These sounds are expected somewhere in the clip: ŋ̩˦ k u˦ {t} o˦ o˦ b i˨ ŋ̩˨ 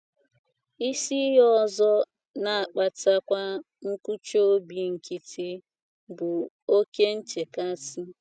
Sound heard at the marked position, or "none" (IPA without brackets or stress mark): t͡ʃ